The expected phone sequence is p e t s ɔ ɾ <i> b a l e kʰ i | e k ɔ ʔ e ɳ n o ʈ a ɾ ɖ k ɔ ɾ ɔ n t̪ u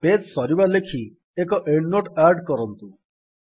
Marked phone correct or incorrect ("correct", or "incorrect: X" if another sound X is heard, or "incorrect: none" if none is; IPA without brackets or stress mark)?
correct